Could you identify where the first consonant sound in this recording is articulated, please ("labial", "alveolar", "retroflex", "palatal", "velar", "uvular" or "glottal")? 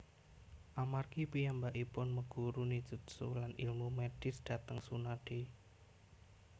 glottal